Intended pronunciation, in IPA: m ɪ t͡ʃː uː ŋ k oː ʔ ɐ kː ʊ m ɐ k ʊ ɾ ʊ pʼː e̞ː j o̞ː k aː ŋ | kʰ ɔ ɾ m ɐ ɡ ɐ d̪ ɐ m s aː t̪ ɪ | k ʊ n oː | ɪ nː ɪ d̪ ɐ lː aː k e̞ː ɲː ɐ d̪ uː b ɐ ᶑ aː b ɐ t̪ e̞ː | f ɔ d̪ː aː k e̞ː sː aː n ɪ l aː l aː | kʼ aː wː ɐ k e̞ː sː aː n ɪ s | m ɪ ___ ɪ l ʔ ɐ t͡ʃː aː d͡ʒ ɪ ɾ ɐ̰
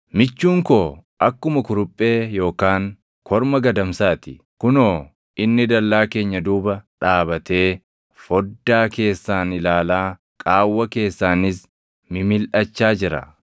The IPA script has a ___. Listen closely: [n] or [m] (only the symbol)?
m